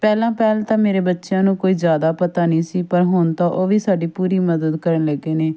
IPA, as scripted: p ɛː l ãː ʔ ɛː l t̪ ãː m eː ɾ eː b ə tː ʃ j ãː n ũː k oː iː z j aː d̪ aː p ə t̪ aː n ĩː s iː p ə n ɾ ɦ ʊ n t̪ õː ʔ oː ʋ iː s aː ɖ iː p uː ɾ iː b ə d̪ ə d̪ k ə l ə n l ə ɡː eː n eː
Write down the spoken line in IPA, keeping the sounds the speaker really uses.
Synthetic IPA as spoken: p ɛː l ãː p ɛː l t̪ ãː m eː ɾ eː b ə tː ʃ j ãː n ũː k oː iː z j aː d̪ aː p ə t̪ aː n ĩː s iː p ə ɾ ɦ ʊ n t̪ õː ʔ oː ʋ iː s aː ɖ iː p uː ɾ iː m ə d̪ ə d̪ k ə ɾ ə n l ə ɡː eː n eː